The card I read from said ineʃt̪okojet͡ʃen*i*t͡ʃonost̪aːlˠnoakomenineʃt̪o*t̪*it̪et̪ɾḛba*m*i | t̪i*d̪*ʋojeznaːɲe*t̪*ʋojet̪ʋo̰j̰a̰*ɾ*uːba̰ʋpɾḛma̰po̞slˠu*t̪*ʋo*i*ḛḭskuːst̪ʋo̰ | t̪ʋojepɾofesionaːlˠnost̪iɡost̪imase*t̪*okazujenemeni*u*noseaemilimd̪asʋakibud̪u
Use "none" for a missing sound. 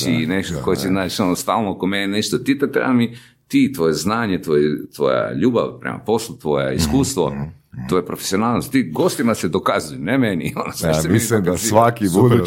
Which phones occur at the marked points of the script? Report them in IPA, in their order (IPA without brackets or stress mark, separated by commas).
a, t̪, m, t̪, t̪, ʎ, t̪, j, d̪, o